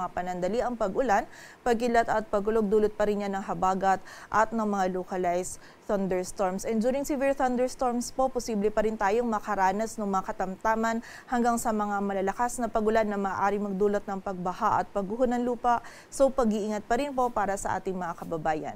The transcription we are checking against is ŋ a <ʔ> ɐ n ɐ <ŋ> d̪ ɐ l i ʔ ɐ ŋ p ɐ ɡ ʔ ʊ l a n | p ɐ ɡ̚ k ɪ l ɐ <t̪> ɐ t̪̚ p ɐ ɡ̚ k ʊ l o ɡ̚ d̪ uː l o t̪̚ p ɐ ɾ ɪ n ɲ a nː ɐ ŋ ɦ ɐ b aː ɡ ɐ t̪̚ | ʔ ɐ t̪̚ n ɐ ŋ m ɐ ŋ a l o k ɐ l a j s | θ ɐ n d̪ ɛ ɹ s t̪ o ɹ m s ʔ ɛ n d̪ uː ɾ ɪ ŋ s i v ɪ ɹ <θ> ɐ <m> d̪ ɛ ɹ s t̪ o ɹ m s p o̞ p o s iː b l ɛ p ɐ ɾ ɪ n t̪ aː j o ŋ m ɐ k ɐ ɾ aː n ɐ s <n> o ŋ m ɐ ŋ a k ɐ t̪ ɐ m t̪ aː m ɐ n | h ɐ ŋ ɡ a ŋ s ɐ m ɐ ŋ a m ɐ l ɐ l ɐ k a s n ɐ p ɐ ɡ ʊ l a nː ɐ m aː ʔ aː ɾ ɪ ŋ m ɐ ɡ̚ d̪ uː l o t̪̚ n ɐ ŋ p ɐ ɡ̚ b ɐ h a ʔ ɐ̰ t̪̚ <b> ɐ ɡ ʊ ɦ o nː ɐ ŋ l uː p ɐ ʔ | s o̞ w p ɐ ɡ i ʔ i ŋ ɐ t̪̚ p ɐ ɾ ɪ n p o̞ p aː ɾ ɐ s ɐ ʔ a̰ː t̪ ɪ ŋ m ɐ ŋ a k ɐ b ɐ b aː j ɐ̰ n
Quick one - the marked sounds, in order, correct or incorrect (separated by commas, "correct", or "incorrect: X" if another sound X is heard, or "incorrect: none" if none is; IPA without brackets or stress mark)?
incorrect: p, incorrect: n, correct, correct, incorrect: n, correct, incorrect: p